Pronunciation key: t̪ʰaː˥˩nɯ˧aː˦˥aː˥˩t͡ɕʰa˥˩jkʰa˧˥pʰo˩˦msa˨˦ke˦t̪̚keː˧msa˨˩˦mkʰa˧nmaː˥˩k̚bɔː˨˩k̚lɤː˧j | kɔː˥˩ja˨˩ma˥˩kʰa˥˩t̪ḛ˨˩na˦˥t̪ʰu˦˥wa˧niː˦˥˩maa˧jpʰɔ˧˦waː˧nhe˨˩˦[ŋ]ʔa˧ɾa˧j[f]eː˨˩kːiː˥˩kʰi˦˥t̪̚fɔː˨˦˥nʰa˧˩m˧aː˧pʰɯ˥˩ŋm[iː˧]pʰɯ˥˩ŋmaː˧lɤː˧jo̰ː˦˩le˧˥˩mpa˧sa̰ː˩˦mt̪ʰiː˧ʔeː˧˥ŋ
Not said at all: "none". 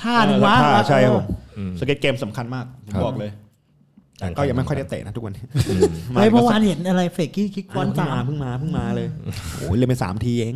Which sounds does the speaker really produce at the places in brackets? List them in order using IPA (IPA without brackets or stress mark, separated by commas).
n, f, aː˧